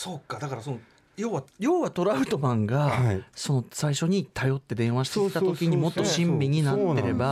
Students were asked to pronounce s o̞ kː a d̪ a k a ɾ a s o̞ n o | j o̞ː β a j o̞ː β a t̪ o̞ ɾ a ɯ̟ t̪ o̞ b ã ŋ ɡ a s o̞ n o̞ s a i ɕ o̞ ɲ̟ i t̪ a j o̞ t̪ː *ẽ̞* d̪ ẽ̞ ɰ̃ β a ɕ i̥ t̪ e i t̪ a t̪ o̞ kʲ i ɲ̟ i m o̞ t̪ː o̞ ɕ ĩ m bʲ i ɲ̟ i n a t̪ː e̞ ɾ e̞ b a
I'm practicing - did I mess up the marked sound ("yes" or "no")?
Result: yes